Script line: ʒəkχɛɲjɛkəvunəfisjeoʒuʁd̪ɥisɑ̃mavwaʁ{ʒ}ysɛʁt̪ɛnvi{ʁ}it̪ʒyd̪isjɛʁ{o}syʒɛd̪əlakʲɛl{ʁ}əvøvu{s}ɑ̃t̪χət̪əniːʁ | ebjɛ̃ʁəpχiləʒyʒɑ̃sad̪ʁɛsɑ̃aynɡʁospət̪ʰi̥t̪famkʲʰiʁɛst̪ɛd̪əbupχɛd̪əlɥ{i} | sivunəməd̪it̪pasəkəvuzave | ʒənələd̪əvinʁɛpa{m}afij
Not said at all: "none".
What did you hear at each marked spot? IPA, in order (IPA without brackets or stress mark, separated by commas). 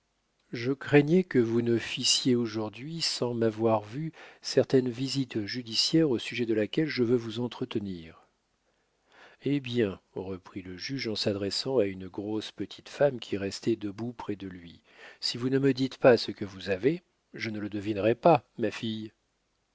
v, z, o, ʒ, z, i, m